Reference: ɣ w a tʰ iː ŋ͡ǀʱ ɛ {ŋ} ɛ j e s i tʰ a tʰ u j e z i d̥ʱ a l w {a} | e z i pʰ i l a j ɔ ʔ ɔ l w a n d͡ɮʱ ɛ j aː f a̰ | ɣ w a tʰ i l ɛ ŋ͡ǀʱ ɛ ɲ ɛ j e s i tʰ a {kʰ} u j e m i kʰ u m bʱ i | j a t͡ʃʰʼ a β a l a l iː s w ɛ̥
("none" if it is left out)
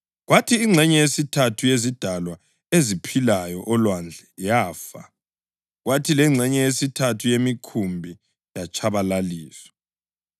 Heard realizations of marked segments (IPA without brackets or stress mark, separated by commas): ɲ, a, tʰ